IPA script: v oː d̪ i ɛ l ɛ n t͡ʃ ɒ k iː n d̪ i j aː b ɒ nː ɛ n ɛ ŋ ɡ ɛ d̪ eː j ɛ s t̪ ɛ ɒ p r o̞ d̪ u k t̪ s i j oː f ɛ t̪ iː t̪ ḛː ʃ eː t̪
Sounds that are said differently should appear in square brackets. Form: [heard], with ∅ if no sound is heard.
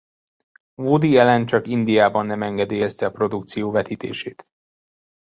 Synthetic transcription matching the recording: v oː d̪ i ɛ l ɛ n t͡ʃ ɒ k [i] n d̪ i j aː b ɒ nː ɛ [m] ɛ ŋ ɡ ɛ d̪ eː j ɛ s t̪ ɛ ɒ p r o̞ d̪ u k t̪ s i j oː [v] ɛ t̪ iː t̪ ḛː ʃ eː t̪